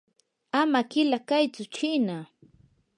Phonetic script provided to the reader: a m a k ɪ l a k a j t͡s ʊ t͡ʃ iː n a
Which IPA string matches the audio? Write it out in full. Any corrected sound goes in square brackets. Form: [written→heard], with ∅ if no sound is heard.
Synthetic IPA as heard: a m a k ɪ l a k a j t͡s ʊ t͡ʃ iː n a